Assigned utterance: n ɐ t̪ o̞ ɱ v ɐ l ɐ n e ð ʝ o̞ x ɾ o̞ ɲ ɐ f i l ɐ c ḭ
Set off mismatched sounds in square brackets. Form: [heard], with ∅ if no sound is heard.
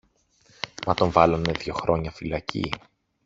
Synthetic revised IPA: [m] ɐ t̪ o̞ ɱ v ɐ l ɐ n e ð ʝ o̞ x ɾ o̞ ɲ ɐ f i l ɐ c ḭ